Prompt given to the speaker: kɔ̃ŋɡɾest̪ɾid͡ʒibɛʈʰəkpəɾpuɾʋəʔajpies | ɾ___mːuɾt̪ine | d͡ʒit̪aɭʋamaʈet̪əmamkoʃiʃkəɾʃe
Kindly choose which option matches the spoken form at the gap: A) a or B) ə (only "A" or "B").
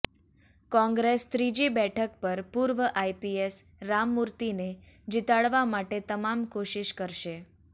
A